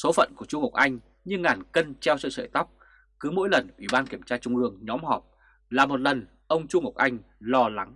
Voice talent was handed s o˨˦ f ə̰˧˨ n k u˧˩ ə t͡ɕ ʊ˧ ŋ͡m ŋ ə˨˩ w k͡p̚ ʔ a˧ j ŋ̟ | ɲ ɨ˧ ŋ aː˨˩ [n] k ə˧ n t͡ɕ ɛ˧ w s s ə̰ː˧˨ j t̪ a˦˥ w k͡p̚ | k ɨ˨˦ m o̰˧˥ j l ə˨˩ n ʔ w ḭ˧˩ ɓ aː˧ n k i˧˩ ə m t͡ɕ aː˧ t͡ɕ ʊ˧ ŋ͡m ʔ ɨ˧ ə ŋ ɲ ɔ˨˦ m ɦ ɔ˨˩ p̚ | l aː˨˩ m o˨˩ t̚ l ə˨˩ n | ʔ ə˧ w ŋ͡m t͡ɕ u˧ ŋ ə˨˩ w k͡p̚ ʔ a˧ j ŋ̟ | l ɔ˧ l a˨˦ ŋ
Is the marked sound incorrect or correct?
correct